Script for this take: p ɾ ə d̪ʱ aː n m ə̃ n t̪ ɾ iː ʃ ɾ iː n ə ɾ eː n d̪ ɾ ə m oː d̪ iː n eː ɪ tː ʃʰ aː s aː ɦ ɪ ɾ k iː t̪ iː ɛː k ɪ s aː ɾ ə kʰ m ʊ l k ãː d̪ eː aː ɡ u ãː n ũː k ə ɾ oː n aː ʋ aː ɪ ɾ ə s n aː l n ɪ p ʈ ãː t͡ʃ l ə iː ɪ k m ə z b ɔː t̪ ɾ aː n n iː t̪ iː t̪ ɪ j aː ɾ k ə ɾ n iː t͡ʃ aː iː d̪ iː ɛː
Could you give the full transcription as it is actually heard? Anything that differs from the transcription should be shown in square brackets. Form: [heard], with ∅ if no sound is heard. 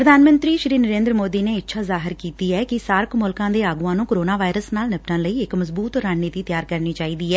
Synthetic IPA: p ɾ ə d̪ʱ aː n m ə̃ n t̪ ɾ iː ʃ ɾ iː n ə ɾ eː n d̪ ɾ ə m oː d̪ iː n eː ɪ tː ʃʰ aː [z] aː ɦ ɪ ɾ k iː t̪ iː ɛː k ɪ s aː ɾ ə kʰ m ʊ l k ãː d̪ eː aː ɡ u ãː n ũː k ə ɾ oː n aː ʋ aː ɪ ɾ ə s n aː l n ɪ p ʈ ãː [∅] l ə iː ɪ k m ə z b [uː] t̪ ɾ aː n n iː t̪ iː t̪ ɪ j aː ɾ k ə ɾ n iː t͡ʃ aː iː d̪ iː ɛː